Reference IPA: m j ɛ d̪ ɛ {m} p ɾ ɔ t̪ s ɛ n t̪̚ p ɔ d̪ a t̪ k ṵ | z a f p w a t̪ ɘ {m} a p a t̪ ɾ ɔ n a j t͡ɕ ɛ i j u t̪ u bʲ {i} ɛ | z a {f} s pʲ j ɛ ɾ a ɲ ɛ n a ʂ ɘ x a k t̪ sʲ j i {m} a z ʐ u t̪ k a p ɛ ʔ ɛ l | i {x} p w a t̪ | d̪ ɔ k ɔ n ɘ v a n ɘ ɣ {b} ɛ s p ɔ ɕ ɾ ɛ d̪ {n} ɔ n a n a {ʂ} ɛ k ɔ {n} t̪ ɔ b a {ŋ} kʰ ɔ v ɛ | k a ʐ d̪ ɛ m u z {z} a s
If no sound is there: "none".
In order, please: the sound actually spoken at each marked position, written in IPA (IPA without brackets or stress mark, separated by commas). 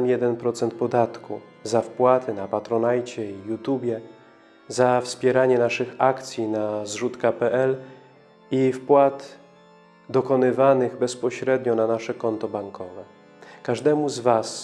n, n, j, f, n, f, b, ɲ, ʂ, n, ŋ, v